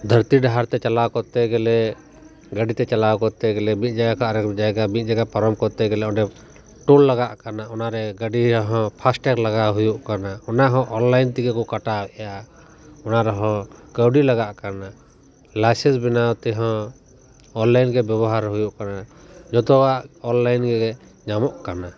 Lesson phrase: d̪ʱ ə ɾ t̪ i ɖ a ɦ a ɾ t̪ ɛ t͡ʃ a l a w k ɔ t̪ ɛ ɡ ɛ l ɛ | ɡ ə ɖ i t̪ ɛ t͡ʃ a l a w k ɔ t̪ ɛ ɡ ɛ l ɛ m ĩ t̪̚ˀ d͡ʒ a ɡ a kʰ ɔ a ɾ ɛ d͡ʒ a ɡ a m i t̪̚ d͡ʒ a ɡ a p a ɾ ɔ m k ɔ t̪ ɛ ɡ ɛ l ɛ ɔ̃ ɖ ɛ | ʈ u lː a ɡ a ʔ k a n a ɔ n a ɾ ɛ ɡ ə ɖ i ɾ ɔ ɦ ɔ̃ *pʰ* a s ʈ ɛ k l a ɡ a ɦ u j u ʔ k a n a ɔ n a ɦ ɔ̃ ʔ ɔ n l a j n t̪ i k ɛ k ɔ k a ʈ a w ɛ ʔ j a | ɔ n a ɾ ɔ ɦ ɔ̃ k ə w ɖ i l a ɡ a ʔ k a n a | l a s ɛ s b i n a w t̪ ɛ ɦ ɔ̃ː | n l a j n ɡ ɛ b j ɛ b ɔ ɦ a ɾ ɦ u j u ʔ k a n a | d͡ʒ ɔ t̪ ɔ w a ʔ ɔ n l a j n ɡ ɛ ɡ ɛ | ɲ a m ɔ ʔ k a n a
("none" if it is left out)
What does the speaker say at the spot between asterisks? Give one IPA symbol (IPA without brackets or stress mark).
pʰ